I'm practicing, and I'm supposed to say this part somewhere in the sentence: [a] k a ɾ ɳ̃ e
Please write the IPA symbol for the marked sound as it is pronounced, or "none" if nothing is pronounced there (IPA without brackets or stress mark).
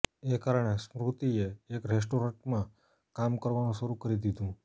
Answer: e